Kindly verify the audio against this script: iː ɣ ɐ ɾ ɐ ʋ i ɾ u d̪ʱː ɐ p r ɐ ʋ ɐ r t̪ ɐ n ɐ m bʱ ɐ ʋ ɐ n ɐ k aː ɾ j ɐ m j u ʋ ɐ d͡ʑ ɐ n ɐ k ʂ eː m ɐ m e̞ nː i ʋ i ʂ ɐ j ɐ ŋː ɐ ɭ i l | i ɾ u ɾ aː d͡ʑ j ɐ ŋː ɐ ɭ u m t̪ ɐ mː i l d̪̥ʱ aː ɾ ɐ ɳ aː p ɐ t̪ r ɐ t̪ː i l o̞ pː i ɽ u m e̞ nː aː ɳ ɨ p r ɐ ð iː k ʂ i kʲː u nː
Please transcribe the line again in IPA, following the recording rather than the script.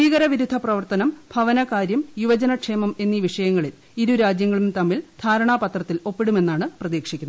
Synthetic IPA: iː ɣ ɐ ɾ ɐ ʋ i ɾ u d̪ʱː ɐ p r ɐ ʋ ɐ r t̪ ɐ n ɐ m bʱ ɐ ʋ ɐ n ɐ k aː ɾ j ɐ m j u ʋ ɐ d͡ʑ ɐ n ɐ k ʂ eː m ɐ m e̞ nː i ʋ i ʂ ɐ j ɐ ŋː ɐ ɭ i l | i ɾ u ɾ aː d͡ʑ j ɐ ŋː ɐ ɭ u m t̪ ɐ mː i l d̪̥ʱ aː ɾ ɐ ɳ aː p ɐ t̪ r ɐ t̪ː i l o̞ pː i ɽ u m e̞ nː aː ɳ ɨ p r ɐ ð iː k ʂ i kʲː u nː

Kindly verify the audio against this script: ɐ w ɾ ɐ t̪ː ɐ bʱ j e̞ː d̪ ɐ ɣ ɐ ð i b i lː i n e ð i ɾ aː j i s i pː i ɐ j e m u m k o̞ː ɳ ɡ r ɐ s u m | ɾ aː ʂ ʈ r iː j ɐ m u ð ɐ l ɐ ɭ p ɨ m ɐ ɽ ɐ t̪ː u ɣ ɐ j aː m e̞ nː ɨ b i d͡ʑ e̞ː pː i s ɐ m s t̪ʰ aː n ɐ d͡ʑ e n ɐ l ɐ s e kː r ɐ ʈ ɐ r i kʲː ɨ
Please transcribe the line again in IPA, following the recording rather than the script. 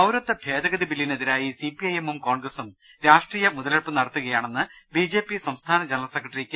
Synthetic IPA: ɐ w ɾ ɐ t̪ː ɐ bʱ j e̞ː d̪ ɐ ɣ ɐ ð i b i lː i n e ð i ɾ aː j i s i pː i ɐ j e m u m k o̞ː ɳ ɡ r ɐ s u m | ɾ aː ʂ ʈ r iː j ɐ m u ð ɐ l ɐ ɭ p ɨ n ɐ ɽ ɐ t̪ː u ɣ ɐ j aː ɳ e̞ nː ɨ b i d͡ʑ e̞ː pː i s ɐ m s t̪ʰ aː n ɐ d͡ʑ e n ɐ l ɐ s e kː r ɐ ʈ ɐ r i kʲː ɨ

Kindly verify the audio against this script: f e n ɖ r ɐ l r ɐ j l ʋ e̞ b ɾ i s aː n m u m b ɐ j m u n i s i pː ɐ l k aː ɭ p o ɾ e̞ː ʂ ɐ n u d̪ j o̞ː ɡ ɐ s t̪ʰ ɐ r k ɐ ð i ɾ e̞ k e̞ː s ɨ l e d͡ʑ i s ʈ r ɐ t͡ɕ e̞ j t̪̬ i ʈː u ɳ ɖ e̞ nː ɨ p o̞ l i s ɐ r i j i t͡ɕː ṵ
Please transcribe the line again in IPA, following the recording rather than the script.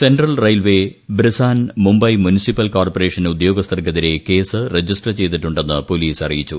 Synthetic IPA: s e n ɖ r ɐ l r ɐ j l ʋ e̞ b ɾ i s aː n m u m b ɐ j m u n i s i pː ɐ l k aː r p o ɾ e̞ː ʂ ɐ n u d̪ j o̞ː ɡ ɐ s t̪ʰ ɐ r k ɐ ð i ɾ e̞ k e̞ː s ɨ r e d͡ʑ i s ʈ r ɐ t͡ɕ e̞ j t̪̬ i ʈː u ɳ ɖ e̞ nː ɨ p o̞ l iː s ɐ r i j i t͡ɕː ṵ

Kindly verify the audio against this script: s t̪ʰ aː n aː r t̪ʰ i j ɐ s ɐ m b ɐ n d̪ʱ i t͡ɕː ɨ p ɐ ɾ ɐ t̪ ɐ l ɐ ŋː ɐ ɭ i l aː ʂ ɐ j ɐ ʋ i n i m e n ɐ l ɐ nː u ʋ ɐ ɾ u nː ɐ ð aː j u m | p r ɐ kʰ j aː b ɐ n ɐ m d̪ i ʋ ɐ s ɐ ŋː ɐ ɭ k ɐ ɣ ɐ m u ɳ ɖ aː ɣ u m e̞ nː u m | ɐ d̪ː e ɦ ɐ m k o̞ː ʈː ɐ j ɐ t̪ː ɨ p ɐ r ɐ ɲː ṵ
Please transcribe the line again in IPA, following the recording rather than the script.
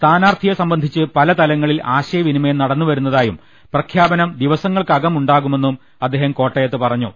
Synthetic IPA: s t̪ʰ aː n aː r t̪ʰ i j ɐ s ɐ m b ɐ n d̪ʱ i t͡ɕː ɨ p ɐ l ɐ t̪ ɐ l ɐ ŋː ɐ ɭ i l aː ɕ ɐ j ɐ ʋ i n i m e n ɐ ɽ ɐ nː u ʋ ɐ ɾ u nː ɐ ð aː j u m | p r ɐ kʰ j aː b ɐ n ɐ m d̪ i ʋ ɐ s ɐ ŋː ɐ ɭ k ɐ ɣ ɐ m u ɳ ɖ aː ɣ u m e̞ nː u m | ɐ d̪ː e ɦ ɐ m k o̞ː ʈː ɐ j ɐ t̪ː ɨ p ɐ r ɐ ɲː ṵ

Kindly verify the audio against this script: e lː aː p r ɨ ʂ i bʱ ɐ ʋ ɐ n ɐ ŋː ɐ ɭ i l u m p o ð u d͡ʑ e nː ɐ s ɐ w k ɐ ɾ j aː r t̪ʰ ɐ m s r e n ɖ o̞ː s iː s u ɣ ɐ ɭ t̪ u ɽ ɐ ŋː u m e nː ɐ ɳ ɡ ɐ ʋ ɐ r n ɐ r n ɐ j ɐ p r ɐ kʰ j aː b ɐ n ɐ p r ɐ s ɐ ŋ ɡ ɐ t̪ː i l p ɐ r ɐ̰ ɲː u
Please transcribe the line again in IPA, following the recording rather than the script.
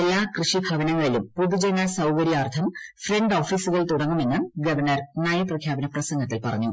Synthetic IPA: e lː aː k r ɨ ʂ i bʱ ɐ ʋ ɐ n ɐ ŋː ɐ ɭ i l u m p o ð u d͡ʑ e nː ɐ s ɐ w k ɐ ɾ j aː r t̪ʰ ɐ m f r e ɳ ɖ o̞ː f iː s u ɣ ɐ ɭ t̪ u ɽ ɐ ŋː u m e nː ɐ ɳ ɡ ɐ ʋ ɐ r n ɐ r n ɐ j ɐ p r ɐ kʰ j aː b ɐ n ɐ p r ɐ s ɐ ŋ ɡ ɐ t̪ː i l p ɐ r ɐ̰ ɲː u

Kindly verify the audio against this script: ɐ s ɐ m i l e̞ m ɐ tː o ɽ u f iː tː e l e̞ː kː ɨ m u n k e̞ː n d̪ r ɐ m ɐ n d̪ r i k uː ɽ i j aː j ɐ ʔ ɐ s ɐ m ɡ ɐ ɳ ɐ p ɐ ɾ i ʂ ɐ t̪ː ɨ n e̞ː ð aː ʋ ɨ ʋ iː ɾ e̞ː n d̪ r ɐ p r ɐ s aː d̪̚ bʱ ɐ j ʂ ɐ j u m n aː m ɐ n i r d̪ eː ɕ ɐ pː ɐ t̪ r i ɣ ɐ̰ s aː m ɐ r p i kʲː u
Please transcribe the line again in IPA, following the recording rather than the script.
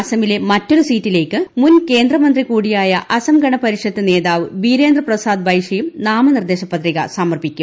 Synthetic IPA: ɐ s ɐ m i l e̞ m ɐ tː o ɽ u s iː tː i l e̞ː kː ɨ m u n k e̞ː n d̪ r ɐ m ɐ n d̪ r i k uː ɽ i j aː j ɐ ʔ ɐ s ɐ m ɡ ɐ ɳ ɐ p ɐ ɾ i ʂ ɐ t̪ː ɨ n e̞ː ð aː ʋ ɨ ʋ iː ɾ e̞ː n d̪ r ɐ p r ɐ s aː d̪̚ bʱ ɐ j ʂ ɐ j u m n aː m ɐ n i r d̪ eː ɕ ɐ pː ɐ t̪ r i ɣ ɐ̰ s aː m ɐ r p i kʲː u

